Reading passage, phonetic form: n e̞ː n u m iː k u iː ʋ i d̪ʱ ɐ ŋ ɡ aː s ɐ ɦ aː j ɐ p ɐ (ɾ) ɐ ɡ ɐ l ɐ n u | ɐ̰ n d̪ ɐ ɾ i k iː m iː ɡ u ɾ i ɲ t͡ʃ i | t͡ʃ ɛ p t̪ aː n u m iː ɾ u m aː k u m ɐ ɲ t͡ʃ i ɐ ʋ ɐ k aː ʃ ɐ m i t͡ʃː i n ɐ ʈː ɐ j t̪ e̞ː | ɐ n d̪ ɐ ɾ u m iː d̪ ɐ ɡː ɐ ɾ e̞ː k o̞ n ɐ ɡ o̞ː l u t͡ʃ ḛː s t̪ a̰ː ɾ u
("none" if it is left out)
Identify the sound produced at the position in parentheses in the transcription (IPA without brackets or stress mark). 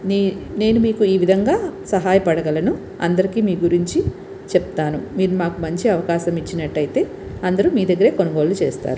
ɽ